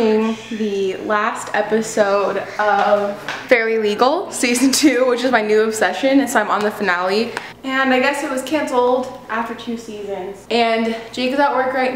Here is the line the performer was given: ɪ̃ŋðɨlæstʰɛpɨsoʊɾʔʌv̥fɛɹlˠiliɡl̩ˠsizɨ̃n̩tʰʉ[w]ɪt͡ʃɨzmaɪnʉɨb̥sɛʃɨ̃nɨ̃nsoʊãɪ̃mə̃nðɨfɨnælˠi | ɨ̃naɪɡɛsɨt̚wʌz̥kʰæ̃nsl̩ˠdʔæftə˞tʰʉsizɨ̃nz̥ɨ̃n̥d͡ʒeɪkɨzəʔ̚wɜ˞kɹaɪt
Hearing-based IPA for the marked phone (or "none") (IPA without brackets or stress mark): w